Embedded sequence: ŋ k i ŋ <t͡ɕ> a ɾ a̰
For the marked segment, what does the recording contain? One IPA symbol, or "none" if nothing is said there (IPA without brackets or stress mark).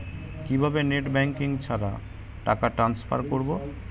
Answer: t͡ɕʰ